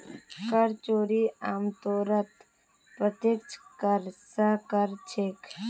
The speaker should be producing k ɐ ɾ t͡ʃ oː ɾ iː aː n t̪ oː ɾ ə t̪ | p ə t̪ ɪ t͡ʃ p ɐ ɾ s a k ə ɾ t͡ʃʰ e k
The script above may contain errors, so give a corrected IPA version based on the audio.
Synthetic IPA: k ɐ ɾ t͡ʃ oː ɾ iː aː m t̪ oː ɾ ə t̪ | p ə t̪ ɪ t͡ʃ k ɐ ɾ s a k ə ɾ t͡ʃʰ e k

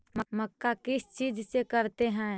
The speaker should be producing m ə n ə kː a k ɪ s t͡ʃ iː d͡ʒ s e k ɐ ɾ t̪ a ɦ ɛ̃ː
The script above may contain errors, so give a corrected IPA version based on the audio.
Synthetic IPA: m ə m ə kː a k ɪ s t͡ʃ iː d͡ʒ s e k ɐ ɾ t̪ e ɦ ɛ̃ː

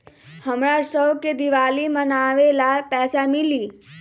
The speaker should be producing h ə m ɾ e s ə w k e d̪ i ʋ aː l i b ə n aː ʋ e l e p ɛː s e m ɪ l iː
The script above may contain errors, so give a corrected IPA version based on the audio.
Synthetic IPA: h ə m ɾ a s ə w k e d̪ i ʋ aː l i m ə n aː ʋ e l a p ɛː s a m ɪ l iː

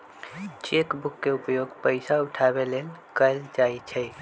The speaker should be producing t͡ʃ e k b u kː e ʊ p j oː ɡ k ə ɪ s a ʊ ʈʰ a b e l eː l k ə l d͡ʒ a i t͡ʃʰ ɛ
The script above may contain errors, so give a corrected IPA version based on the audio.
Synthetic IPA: t͡ʃ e k b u kː e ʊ p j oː ɡ p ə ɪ s a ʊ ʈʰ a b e l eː l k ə l d͡ʒ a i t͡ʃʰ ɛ

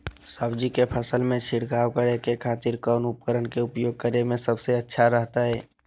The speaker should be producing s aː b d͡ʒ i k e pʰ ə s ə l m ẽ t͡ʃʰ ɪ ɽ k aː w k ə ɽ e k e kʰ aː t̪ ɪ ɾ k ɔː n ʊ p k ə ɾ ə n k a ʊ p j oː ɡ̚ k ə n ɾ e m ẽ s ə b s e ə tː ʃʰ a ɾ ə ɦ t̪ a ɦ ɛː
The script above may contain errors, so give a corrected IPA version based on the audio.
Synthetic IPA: s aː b d͡ʒ i k e pʰ ə s ə l m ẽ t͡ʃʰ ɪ ɽ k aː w k ə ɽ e k e kʰ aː t̪ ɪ ɾ k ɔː n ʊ p k ə ɾ ə n k e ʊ p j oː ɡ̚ k ə ɾ e m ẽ s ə b s e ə tː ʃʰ a ɾ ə ɦ t̪ a ɦ ɛː

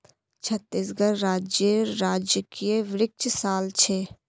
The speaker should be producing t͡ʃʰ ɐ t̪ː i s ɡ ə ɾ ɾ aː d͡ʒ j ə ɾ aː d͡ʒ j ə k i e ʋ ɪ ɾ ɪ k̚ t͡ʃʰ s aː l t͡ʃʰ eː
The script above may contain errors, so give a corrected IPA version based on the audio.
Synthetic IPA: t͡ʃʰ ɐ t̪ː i s ɡ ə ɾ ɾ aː d͡ʒ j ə ɾ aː d͡ʒ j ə k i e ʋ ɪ ɾ ɪ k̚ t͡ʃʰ s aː l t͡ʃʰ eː

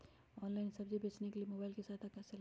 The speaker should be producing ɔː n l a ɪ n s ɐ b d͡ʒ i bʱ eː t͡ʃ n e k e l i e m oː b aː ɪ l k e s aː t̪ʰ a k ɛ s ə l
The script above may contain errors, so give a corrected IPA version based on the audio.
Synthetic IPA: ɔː n l a ɪ n s ɐ b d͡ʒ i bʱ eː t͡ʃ n e k e l i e m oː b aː ɪ l k e s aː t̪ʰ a k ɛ s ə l

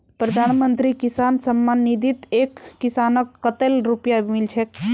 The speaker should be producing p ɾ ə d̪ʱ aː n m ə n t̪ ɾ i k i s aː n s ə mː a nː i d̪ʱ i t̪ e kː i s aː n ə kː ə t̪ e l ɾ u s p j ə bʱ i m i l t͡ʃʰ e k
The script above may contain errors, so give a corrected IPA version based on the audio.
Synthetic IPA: p ɾ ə d̪ʱ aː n m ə n t̪ ɾ i k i s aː n s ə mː a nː i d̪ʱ i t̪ e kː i s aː n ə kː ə t̪ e l ɾ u p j a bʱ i m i l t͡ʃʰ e k

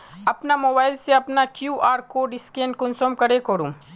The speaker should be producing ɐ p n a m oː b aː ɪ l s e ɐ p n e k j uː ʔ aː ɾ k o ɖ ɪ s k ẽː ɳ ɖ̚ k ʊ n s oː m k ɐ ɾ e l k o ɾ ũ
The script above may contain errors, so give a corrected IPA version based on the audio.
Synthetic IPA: ɐ p n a m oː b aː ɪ l s e ɐ p n a k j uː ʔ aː ɾ k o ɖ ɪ s k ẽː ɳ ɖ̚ k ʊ n s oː m k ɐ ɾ e k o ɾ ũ

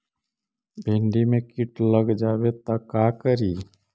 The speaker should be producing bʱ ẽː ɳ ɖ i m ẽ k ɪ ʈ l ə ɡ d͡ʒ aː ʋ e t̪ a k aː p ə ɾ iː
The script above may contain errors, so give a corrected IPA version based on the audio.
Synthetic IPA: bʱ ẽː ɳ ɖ i m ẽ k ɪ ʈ l ə ɡ d͡ʒ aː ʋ e t̪ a k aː k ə ɾ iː

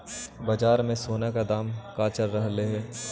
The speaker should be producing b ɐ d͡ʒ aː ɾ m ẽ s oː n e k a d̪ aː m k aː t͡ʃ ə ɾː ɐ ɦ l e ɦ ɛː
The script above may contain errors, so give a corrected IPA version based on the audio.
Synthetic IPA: b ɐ d͡ʒ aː ɾ m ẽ s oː n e k a d̪ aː m k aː t͡ʃ ə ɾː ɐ ɦ l e ɦ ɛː

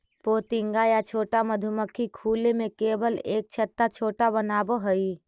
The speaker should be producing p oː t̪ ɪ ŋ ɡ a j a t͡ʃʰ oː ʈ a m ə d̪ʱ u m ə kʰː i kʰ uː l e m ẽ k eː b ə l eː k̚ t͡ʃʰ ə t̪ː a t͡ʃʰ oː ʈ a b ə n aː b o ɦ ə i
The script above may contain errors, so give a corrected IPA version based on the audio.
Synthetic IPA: p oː t̪ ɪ ŋ ɡ a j a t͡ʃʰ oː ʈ a m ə d̪ʱ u m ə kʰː i kʰ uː l e m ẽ k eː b ə l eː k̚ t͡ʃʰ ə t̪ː a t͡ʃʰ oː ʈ a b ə n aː b o ɦ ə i

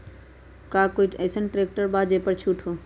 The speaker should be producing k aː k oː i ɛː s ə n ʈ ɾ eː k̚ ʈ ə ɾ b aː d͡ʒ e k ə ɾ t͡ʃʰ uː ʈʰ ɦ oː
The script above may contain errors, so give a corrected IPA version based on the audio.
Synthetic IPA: k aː k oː i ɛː s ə n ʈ ɾ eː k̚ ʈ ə ɾ b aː d͡ʒ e p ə ɾ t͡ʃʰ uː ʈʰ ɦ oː

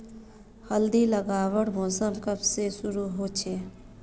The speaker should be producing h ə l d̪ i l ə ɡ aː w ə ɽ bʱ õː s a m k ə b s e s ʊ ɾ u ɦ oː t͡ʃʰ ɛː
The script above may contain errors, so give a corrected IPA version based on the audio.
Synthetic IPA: h ə l d̪ i l ə ɡ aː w ə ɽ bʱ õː s ə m k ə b s e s ʊ ɾ u ɦ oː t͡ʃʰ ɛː

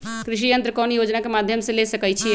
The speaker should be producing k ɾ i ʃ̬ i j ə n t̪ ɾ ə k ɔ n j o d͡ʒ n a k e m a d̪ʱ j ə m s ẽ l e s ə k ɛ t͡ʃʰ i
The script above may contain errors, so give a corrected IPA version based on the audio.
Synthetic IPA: k ɾ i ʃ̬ i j ə n t̪ ɾ ə k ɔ n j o d͡ʒ n a k e m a d̪ʱ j ə m s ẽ l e s ə k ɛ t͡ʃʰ i

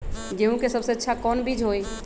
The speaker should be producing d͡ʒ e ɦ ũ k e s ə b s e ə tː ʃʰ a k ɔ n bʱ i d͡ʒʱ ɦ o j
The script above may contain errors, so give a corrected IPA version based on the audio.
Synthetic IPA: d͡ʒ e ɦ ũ k e s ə b s e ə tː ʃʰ a k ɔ n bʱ i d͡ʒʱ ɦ o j

